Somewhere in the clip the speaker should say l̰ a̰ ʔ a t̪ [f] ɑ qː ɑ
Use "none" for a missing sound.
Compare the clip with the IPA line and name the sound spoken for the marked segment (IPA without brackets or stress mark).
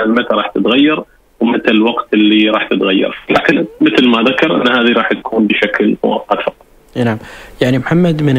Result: f